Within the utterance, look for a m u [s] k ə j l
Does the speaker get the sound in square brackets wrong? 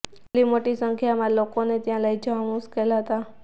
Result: no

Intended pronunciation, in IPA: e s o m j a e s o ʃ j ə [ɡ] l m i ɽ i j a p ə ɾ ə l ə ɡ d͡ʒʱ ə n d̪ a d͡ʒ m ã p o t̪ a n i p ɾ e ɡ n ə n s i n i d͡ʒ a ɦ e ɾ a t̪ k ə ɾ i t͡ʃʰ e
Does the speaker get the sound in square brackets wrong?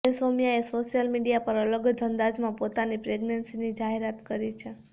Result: yes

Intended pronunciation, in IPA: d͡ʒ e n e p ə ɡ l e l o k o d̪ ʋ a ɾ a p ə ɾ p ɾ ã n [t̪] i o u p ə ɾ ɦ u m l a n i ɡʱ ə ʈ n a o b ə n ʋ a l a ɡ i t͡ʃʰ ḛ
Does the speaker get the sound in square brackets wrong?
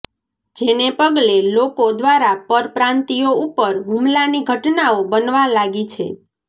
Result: no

